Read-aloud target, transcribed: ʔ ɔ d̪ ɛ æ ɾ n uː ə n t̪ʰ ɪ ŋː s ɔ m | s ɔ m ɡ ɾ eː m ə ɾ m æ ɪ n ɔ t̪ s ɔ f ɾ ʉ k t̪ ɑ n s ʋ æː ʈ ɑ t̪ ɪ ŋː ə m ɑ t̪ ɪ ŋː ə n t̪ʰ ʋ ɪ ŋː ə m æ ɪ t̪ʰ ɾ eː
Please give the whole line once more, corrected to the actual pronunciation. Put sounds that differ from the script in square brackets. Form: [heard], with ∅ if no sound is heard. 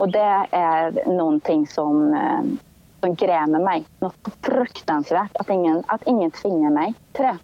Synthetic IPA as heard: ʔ ɔ d̪ ɛ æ ɾ n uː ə n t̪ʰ ɪ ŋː s ɔ m | s ɔ m ɡ ɾ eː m ə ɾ m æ ɪ n ɔ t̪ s ɔ f ɾ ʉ k t̪ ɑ n s ʋ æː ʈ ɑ t̪ ɪ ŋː ə [n] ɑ t̪ ɪ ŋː ə n t̪ʰ ʋ ɪ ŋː ə m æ ɪ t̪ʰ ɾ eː